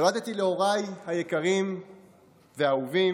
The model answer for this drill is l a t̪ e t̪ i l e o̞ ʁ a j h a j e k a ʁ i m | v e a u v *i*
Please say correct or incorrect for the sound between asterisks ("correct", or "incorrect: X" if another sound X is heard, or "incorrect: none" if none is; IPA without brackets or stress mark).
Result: correct